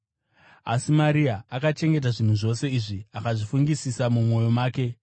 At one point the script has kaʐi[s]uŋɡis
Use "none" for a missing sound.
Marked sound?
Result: f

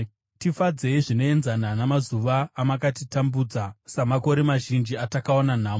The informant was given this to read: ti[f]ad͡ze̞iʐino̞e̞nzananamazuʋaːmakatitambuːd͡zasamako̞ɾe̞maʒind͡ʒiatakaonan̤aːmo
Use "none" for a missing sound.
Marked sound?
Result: f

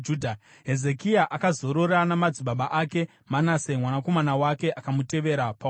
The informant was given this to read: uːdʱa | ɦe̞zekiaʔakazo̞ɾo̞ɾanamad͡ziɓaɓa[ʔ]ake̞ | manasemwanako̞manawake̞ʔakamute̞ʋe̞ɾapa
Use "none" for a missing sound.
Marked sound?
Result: ʔ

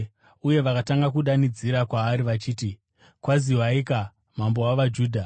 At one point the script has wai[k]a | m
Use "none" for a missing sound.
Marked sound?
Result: k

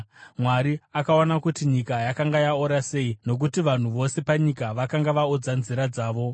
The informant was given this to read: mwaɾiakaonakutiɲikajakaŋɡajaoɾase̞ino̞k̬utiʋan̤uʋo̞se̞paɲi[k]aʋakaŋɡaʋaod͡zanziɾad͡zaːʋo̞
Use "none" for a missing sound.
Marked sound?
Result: k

